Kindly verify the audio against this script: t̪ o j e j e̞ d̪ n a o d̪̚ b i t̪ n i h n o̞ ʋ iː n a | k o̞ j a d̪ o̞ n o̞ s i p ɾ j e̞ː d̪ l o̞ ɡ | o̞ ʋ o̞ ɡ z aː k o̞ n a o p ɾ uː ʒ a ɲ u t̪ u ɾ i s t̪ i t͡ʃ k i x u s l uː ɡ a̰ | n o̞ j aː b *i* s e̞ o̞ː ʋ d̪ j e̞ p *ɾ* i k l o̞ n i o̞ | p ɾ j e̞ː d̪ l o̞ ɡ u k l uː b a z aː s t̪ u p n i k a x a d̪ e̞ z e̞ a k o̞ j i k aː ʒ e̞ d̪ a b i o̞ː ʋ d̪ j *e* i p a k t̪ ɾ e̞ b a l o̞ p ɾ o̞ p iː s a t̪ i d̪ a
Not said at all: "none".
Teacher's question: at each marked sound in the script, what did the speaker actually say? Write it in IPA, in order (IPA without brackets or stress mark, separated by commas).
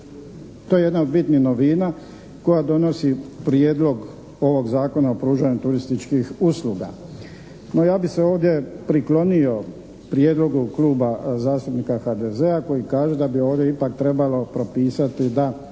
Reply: i, ɾ, e